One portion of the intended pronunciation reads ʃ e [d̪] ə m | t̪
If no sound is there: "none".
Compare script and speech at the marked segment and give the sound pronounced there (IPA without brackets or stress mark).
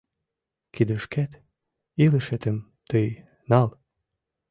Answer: t̪